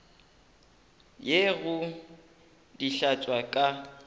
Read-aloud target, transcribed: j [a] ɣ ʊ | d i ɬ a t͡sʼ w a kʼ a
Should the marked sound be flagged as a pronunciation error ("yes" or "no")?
yes